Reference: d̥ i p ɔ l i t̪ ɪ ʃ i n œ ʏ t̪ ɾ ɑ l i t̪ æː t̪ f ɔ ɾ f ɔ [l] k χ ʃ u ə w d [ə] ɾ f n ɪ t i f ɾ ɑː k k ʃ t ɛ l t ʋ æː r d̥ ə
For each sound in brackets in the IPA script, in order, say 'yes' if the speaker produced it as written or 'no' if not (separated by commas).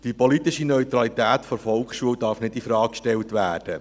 yes, no